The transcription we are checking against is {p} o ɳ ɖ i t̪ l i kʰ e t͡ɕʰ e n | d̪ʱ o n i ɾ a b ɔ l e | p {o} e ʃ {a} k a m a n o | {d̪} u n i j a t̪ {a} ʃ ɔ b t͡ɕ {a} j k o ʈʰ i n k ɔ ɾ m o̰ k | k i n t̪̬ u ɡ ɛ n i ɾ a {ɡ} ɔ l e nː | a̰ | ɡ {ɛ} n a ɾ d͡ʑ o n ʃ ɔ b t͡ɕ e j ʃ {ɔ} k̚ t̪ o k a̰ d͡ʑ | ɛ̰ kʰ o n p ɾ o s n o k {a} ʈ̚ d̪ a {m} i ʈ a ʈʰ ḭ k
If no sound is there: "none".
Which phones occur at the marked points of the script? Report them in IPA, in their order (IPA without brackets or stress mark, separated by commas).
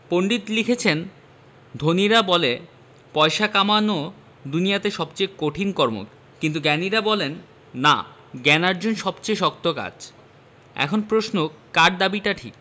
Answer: p, ɔ, a, d̪, e, e, b, ɛ, ɔ, a, b